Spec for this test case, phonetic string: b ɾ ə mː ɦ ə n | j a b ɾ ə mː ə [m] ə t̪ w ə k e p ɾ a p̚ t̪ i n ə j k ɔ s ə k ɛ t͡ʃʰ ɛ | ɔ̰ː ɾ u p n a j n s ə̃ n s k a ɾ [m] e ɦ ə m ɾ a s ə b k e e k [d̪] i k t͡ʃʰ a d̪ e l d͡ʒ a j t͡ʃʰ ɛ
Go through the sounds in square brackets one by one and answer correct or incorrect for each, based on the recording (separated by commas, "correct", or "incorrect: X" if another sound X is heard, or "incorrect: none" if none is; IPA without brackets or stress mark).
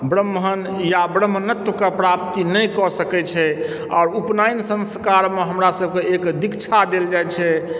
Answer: incorrect: n, correct, correct